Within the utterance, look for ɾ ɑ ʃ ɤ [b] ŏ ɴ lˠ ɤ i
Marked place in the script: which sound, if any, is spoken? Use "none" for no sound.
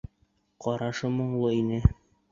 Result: m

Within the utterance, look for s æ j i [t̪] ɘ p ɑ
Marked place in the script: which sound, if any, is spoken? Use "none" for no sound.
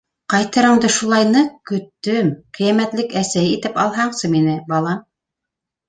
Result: t̪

